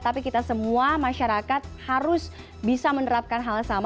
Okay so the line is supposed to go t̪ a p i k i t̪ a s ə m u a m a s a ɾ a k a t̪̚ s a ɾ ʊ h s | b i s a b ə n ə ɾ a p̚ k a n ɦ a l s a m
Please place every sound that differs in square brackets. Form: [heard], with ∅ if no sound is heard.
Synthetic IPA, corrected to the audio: t̪ a p i k i t̪ a s ə m u a m a [ʃ] a ɾ a k a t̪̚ [h] a ɾ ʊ [∅] s | b i s a [m] ə n ə ɾ a p̚ k a n ɦ a l s a m

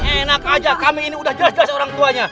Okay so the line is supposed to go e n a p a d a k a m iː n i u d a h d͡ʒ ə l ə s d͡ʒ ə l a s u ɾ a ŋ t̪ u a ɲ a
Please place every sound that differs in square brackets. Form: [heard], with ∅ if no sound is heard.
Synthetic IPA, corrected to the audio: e n a [k] a [d͡ʒ] a k a m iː n i u d a h d͡ʒ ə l [a] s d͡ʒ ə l a s [o] ɾ a ŋ t̪ u a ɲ a

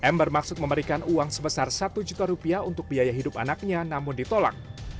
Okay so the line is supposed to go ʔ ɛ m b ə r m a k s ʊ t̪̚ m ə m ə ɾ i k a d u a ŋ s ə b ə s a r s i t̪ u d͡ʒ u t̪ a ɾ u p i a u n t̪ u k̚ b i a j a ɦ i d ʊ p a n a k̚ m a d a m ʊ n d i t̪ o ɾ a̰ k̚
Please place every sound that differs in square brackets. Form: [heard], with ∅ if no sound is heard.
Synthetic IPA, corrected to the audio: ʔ ɛ m b ə r m a k s ʊ t̪̚ m ə m ə ɾ i k a [n] u a ŋ s ə b ə s a r s [a] t̪ u d͡ʒ u t̪ a ɾ u p i a u n t̪ [ʊ] k̚ b i a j a ɦ i d ʊ p a n a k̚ [ɲ] a [n] a m ʊ n d i t̪ o [l] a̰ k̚

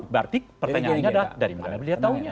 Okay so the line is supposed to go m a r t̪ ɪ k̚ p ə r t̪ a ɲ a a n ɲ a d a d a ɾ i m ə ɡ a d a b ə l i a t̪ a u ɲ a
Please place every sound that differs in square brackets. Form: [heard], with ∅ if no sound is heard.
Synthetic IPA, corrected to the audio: [b] a r t̪ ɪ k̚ p ə r t̪ a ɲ a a n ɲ a d a d a ɾ i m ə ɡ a [n] a b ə l i a t̪ a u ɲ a

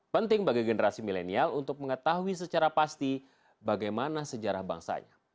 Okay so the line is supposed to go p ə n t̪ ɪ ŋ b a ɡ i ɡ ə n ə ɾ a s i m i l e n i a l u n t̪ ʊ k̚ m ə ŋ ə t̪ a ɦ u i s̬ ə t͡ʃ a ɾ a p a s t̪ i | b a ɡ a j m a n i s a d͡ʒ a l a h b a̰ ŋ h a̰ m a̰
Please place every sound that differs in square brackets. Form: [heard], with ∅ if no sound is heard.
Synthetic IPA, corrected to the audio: p ə n t̪ ɪ ŋ b a ɡ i ɡ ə n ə ɾ a s i m i l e n i a l u n t̪ ʊ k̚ m ə ŋ ə t̪ a ɦ u i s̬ ə t͡ʃ a ɾ a p a s t̪ i | b a ɡ a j m a n [a] s [ə] d͡ʒ a [ɾ] a h b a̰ ŋ [s] a̰ [ɲ] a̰

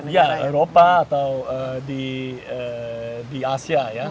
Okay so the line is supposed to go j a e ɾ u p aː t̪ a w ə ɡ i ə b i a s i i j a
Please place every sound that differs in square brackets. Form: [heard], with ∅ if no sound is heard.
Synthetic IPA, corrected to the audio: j a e ɾ [o] p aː t̪ a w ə [d] i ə [d] i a s i [a] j a

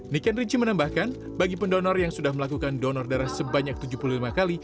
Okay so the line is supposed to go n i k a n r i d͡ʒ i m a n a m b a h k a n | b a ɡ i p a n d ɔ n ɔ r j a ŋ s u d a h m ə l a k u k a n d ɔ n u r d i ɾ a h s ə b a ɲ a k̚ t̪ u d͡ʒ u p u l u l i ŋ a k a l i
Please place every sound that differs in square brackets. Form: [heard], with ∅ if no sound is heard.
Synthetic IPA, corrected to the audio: n i k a n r i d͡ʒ i m [ə] n a m b a h k a n | b a ɡ i p [ə] n d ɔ n ɔ r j a ŋ s u d a h m ə l a k u k a n d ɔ n [ɔ] r d [a] ɾ a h s ə b a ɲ a k̚ t̪ u d͡ʒ u p u l u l i [m] a k a l i

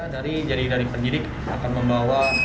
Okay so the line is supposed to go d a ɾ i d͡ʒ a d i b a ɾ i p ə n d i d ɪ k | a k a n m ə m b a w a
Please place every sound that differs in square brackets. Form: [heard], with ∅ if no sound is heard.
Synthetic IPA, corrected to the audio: d a ɾ i d͡ʒ a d i [d] a ɾ i p ə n d i d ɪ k | a k a n m ə m b a w a

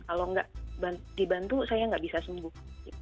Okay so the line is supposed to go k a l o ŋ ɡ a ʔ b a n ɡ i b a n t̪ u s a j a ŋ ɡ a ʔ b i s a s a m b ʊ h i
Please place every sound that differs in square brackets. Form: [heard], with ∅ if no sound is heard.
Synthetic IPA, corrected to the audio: k a l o ŋ ɡ a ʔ b a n [d] i b a n t̪ u s a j a ŋ ɡ a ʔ b i s a s [ə] m b ʊ h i

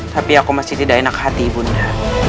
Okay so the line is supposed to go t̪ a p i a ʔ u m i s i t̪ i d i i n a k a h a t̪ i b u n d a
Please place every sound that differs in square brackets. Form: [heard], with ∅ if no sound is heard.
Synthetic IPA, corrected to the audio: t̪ a p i a [k] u m [a] s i t̪ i d [a] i n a k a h a t̪ i b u n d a

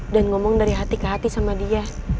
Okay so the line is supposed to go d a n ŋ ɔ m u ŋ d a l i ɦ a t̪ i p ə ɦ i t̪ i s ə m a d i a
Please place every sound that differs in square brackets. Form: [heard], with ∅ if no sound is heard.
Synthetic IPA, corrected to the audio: d a n ŋ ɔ m [ɔ] ŋ d a [ɾ] i ɦ a t̪ i [k] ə ɦ [a] t̪ i s [a] m a d i a

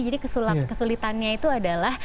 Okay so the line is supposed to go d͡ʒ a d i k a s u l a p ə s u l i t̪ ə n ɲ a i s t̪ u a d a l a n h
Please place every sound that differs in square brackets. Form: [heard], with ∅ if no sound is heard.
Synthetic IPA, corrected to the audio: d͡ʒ a d i k [ə] s u l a [k] ə s u l i t̪ [a] n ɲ a i [∅] t̪ u a d a l a [∅] h

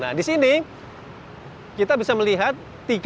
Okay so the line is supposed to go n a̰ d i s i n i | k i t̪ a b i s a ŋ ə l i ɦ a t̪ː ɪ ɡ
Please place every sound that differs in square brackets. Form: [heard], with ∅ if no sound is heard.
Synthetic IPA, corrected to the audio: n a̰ d i s i n i | k i t̪ a b i s a [m] ə l i ɦ a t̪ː [i] ɡ

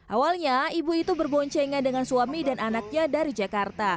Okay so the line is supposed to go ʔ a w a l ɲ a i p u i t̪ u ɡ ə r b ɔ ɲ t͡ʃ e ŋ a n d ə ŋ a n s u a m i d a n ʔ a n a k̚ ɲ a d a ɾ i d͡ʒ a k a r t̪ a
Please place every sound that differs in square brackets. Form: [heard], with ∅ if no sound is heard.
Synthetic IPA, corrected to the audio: ʔ a w a l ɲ a i [b] u i t̪ u [b] ə r b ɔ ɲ t͡ʃ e ŋ a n d ə ŋ a n s u a m i d a n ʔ a n a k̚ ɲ a d a ɾ i d͡ʒ a k a r t̪ a

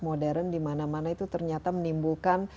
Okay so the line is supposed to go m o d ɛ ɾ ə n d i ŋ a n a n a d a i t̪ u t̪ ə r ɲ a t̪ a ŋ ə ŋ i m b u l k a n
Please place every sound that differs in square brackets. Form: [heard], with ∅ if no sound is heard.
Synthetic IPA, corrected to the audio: m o d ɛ ɾ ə n d i [m] a n a [m] a [n] a i t̪ u t̪ ə r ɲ a t̪ a [m] ə [n] i m b u l k a n

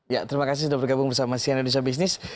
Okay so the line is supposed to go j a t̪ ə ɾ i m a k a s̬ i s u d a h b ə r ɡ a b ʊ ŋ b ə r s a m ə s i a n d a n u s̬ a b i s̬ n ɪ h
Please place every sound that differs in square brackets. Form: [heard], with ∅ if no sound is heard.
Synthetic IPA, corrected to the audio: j a t̪ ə ɾ i m a k a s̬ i s u d a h b ə r ɡ a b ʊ ŋ b ə r s a m [a] s i a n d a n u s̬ a b i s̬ n ɪ [s]

